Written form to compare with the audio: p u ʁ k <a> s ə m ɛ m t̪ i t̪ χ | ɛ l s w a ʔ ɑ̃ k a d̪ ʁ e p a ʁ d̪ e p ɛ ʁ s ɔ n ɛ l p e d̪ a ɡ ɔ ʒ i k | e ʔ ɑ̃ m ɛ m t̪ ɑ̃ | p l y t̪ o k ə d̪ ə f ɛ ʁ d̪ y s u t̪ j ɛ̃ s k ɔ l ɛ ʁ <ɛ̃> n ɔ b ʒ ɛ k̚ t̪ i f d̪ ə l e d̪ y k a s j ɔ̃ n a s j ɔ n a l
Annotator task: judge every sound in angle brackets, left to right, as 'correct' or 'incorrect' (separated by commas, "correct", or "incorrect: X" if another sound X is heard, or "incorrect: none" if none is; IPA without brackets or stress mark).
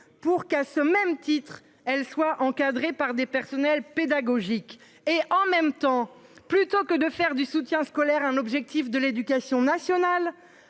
correct, correct